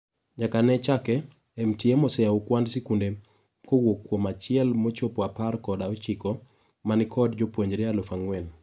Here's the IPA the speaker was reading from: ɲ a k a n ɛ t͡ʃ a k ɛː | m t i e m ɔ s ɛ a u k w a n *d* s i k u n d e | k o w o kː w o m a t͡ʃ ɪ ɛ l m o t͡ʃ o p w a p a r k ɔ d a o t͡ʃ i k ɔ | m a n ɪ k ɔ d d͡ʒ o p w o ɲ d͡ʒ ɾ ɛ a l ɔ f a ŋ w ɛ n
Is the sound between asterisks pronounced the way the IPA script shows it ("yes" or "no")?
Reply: yes